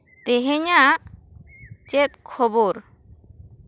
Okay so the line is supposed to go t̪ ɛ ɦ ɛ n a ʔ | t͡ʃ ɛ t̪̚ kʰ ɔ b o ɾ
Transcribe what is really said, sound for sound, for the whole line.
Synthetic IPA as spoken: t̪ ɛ ɦ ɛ ɲ a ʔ | t͡ʃ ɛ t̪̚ kʰ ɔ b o ɾ